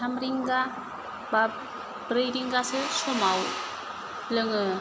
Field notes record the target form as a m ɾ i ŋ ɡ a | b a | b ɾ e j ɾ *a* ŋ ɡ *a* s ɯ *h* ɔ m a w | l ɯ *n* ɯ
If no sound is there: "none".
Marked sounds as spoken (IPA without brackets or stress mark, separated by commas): i, a, s, ŋ